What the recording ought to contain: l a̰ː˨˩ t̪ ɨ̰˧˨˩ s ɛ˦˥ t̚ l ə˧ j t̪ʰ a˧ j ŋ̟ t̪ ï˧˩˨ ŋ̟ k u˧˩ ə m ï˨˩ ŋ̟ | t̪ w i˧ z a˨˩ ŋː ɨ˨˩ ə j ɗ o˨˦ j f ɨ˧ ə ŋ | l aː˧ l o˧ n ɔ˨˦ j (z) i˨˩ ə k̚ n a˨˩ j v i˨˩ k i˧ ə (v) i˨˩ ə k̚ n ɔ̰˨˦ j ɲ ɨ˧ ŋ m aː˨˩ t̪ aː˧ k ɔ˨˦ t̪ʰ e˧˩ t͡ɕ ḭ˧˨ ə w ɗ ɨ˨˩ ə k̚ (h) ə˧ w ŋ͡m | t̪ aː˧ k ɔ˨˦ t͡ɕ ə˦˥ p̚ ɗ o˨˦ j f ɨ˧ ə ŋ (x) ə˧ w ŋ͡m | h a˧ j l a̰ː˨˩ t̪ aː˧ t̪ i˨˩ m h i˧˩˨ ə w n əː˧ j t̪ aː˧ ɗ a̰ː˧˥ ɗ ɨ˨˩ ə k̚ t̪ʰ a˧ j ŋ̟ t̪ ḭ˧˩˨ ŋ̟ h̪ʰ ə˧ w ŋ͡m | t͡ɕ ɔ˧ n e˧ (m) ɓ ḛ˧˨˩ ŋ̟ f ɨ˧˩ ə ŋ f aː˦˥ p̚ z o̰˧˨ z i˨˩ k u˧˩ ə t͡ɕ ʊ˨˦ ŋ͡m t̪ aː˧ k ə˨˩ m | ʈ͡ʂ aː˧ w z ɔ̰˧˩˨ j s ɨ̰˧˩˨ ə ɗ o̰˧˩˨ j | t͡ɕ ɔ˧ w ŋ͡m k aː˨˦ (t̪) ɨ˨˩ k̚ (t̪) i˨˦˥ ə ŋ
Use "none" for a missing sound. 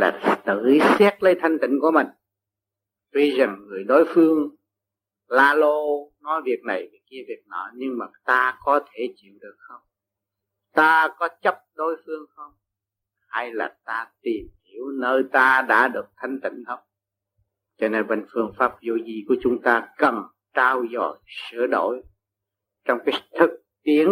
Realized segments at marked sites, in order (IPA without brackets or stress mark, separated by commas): v, v, x, x, n, t̪ʰ, t̪